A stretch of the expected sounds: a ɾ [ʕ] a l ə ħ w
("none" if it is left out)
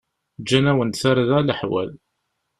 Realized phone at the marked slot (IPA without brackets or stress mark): ð